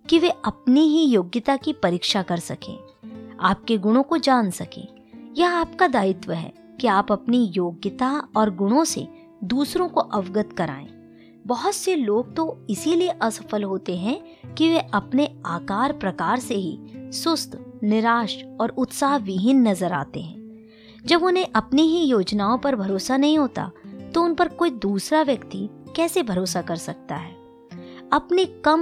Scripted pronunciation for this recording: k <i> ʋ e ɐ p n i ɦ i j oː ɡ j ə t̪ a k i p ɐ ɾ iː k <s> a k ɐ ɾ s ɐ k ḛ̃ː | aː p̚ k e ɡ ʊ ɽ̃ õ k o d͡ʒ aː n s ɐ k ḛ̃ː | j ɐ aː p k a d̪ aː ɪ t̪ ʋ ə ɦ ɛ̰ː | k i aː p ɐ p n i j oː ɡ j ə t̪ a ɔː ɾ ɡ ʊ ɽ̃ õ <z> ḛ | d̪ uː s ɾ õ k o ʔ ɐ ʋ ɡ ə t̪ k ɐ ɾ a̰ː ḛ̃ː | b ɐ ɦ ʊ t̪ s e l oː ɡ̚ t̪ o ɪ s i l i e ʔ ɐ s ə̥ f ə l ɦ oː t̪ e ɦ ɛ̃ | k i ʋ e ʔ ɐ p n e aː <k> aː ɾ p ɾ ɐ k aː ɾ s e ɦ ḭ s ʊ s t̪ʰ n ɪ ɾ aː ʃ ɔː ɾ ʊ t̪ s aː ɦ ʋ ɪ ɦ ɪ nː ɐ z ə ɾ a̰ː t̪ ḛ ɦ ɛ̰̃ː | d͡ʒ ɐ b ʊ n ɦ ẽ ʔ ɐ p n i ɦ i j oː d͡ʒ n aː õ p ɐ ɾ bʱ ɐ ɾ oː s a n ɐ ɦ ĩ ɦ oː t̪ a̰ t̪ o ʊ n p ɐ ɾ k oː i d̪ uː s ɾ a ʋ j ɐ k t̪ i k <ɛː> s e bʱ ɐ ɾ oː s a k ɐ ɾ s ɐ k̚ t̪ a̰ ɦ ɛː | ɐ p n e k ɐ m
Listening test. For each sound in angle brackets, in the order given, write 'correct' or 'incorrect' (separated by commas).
correct, incorrect, incorrect, correct, correct